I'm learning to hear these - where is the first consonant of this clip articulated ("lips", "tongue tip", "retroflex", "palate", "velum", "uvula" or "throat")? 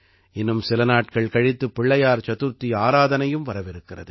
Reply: tongue tip